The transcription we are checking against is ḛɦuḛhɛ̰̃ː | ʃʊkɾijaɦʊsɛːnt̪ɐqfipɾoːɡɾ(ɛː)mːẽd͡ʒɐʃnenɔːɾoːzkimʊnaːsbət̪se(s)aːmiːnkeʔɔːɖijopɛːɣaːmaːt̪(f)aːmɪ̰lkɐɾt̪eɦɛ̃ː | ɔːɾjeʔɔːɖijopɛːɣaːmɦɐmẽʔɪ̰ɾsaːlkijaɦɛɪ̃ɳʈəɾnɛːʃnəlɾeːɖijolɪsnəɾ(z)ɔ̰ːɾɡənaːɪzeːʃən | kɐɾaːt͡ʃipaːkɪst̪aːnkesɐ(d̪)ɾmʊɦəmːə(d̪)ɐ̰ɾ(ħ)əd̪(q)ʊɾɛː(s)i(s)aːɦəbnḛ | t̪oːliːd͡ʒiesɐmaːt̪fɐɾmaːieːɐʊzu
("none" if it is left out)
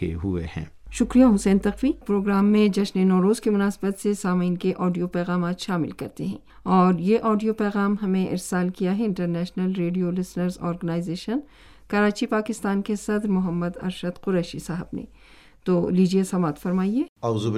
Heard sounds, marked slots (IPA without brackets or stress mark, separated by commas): aː, s, ʃ, z, d̪, d̪, ʃ, q, ʃ, s